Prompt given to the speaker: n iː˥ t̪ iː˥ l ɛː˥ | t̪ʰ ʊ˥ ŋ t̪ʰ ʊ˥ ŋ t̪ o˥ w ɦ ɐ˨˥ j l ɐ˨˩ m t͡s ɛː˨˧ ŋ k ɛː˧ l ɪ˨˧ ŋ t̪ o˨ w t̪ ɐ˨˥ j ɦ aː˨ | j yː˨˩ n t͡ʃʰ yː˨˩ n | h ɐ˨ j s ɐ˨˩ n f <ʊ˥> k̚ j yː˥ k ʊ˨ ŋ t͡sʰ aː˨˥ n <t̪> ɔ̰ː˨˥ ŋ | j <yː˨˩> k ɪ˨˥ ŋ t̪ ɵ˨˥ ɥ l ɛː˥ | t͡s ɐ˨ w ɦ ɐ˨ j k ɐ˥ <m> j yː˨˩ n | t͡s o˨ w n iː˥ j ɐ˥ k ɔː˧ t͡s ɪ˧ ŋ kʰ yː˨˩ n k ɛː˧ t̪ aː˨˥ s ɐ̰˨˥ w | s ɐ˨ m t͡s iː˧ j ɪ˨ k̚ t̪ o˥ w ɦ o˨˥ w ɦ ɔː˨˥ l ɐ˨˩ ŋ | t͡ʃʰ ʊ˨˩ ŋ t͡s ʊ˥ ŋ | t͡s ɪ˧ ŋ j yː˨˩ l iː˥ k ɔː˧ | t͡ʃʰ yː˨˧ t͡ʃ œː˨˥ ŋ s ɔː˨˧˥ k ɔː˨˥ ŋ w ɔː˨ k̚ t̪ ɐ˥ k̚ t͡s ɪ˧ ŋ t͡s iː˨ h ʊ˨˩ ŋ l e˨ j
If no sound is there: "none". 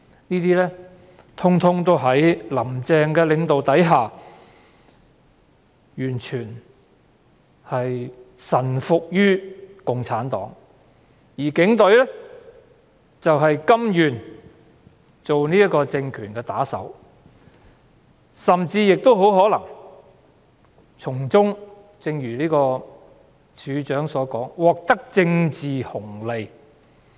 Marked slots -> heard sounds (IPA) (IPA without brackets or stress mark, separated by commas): ʊ˨, t̪, iː˨˩, m